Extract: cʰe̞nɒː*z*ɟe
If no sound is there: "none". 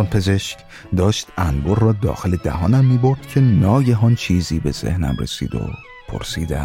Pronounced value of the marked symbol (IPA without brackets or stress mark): none